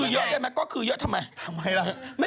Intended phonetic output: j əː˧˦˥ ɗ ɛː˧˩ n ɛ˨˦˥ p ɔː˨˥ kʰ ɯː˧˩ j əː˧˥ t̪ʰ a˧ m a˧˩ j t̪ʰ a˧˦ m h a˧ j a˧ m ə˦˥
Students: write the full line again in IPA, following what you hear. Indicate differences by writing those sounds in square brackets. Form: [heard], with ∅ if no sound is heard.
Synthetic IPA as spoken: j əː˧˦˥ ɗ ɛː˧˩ [m] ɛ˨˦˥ [k] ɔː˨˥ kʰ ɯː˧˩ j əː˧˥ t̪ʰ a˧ m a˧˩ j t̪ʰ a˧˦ m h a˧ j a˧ m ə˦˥